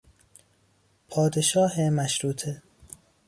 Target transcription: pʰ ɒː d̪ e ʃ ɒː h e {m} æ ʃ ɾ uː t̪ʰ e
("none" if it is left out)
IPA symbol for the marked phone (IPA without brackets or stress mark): m